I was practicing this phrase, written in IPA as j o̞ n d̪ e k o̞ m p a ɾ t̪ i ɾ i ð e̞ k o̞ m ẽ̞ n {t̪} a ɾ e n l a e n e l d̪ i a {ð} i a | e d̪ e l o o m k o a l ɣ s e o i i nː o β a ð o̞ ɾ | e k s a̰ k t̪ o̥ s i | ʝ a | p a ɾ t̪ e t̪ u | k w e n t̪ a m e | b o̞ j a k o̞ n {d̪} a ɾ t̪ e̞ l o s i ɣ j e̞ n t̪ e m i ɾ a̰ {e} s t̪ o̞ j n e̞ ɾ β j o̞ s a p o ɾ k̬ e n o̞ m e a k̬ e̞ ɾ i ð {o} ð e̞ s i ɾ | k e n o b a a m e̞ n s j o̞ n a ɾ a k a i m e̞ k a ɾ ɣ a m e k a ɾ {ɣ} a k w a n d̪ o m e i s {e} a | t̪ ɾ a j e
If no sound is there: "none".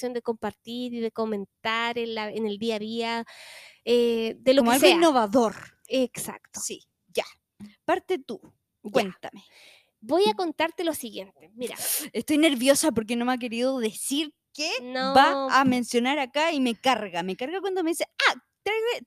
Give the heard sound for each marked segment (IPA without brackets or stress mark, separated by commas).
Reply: t̪, ð, t̪, e, o, ɣ, e